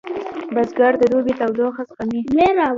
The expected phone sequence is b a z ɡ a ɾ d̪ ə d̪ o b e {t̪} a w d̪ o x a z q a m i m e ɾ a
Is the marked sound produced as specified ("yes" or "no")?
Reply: yes